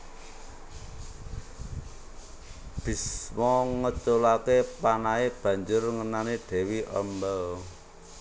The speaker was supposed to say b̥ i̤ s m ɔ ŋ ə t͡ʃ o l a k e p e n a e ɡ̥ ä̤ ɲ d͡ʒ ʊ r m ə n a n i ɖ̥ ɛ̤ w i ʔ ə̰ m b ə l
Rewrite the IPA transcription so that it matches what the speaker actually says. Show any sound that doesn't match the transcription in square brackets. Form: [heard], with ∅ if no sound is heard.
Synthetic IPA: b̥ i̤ s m ɔ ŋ ə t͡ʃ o l a k e p [a] n a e [b̥] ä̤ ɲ d͡ʒ ʊ r [ŋ] ə n a n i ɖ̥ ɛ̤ w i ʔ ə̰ m b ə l